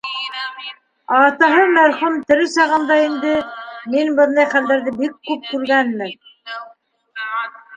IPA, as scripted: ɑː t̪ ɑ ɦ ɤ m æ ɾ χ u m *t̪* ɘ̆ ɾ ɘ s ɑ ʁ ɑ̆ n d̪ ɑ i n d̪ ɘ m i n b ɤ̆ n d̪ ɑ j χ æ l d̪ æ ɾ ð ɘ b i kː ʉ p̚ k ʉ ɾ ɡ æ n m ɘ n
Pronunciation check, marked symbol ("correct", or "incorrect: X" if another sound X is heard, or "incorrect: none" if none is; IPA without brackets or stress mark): correct